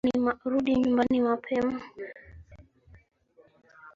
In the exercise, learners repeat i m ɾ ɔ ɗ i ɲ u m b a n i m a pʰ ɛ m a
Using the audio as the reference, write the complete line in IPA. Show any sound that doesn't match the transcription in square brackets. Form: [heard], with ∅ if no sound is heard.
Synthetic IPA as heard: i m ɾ [u] ɗ i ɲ u m b a n i m a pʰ ɛ m a